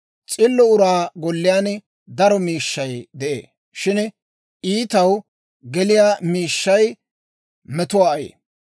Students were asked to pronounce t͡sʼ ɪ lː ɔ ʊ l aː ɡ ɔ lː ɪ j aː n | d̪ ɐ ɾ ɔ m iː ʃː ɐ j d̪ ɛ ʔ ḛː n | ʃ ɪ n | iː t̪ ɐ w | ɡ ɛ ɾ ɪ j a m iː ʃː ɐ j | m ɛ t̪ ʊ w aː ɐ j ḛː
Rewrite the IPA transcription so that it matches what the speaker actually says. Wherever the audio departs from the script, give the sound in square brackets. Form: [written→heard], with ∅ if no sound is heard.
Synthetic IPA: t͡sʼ ɪ lː ɔ ʊ [l→ɾ] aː ɡ ɔ lː ɪ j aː n | d̪ ɐ ɾ ɔ m iː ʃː ɐ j d̪ ɛ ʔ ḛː [n→∅] | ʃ ɪ n | iː t̪ ɐ w | ɡ ɛ [ɾ→l] ɪ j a m iː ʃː ɐ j | m ɛ t̪ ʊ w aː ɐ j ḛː